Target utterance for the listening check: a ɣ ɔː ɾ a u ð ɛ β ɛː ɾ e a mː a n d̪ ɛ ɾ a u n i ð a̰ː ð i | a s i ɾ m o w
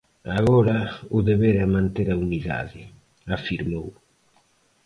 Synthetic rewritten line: a ɣ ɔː ɾ a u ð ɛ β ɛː ɾ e a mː a n t̪ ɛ ɾ a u n i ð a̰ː ð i | a f i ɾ m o w